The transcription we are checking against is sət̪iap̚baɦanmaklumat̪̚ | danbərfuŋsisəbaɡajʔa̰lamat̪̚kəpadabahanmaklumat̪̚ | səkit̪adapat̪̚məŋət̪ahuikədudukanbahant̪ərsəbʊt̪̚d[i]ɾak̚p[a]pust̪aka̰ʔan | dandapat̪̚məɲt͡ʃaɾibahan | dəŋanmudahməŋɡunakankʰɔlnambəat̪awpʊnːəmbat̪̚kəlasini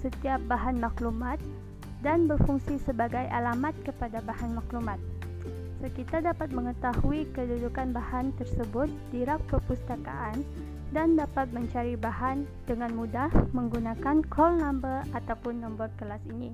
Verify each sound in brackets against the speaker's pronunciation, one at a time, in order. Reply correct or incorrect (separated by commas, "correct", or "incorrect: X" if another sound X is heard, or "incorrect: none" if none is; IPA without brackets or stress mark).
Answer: correct, incorrect: ə